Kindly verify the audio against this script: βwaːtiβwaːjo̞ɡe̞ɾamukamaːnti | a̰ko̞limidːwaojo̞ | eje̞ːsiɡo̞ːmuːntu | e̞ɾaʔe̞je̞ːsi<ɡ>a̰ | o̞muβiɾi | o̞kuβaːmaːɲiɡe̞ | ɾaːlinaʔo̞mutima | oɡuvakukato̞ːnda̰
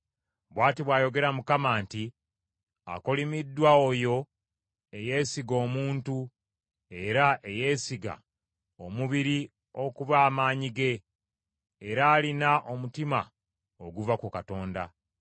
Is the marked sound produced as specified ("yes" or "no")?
yes